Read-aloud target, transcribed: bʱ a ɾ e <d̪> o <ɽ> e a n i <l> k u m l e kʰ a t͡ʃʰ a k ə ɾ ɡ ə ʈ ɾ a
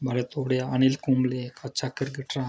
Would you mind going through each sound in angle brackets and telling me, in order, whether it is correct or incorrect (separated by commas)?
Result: incorrect, correct, correct